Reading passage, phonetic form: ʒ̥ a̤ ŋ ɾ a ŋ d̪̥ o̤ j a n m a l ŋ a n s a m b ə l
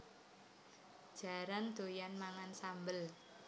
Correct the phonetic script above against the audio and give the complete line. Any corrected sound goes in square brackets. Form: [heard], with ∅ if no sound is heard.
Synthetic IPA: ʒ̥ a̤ [∅] ɾ a [n] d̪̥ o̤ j a n m a [∅] ŋ a n s a m b ə l